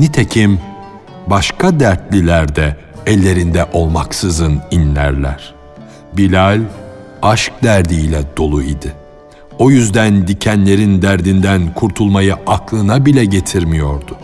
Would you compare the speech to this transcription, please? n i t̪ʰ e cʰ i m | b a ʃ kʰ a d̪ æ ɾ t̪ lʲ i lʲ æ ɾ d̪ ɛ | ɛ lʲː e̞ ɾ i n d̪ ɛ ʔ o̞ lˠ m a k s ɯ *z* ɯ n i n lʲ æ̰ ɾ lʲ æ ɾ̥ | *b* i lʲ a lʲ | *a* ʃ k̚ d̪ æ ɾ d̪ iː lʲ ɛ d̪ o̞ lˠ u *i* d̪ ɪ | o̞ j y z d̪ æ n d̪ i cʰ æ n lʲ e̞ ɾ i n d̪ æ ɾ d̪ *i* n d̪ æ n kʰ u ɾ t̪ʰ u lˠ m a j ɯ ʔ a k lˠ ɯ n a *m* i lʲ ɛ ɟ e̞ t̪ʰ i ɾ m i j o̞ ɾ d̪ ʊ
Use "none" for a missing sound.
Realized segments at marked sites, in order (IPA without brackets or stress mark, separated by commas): z, b, a, i, i, b